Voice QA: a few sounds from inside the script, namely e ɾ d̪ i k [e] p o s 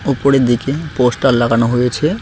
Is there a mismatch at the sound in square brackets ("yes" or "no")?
no